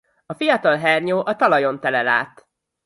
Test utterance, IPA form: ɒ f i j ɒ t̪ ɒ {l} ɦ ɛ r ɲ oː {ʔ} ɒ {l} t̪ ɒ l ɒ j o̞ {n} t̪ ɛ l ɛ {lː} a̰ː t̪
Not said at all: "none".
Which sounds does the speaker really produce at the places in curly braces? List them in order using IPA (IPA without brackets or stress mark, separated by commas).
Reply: l, ʔ, none, n, l